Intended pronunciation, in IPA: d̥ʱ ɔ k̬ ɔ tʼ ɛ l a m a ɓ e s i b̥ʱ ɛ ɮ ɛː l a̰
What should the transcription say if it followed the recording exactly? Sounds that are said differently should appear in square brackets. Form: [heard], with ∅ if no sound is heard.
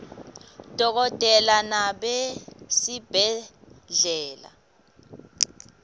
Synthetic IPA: d̥ʱ ɔ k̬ ɔ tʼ ɛ l a [n] a ɓ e s i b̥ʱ ɛ ɮ ɛː l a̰